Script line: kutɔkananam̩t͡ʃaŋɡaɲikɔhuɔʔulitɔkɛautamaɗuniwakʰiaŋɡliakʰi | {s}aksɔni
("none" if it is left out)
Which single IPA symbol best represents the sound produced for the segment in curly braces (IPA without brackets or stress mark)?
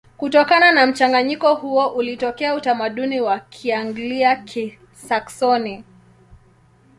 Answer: s